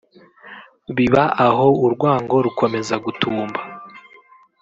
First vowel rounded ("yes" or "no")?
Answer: no